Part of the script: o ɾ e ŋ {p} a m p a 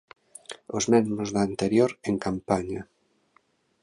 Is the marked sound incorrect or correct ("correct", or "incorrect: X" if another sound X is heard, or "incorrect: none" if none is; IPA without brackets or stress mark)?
incorrect: k